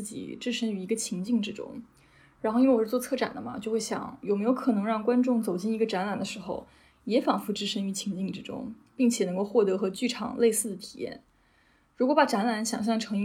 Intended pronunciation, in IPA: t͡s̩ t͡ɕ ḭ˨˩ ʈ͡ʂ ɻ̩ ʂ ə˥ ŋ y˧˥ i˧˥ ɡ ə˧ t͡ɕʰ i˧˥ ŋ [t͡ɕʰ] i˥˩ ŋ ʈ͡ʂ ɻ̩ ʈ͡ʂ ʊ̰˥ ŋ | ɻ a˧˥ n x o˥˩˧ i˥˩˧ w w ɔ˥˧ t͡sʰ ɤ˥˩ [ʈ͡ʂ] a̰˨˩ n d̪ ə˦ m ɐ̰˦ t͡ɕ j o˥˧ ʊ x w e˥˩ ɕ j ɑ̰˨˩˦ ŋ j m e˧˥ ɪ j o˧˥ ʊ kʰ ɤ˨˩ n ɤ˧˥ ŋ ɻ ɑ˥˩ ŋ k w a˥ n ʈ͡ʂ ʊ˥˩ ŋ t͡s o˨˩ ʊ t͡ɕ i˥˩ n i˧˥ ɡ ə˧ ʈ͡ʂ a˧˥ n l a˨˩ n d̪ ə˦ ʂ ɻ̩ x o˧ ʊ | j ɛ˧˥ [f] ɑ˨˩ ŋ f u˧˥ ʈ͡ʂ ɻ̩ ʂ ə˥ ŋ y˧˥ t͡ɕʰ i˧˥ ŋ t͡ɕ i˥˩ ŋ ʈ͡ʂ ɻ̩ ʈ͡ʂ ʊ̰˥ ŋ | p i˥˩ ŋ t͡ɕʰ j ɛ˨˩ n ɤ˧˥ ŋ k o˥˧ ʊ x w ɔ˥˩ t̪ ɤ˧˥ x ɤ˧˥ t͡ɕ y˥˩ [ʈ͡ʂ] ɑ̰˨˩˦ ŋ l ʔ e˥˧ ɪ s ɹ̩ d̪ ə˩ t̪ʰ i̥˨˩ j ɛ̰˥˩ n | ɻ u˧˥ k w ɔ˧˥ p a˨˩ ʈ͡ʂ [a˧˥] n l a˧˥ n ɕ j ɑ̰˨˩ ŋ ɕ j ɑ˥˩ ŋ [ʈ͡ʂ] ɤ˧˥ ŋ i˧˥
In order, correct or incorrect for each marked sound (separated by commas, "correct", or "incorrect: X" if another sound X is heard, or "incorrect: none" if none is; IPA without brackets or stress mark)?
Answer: incorrect: t͡ɕ, correct, correct, incorrect: ʈ͡ʂʰ, correct, incorrect: ʈ͡ʂʰ